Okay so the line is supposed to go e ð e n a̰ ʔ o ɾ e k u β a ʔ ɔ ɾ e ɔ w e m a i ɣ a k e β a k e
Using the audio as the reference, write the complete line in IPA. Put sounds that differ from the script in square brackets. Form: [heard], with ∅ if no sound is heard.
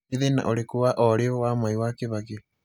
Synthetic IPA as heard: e ð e n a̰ ʔ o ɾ e k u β a ʔ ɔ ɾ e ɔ w [a] m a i [w] a k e β a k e